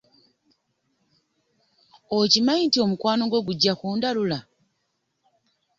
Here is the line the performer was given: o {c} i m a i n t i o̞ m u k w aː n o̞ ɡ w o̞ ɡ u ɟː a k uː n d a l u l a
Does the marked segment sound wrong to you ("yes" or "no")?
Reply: no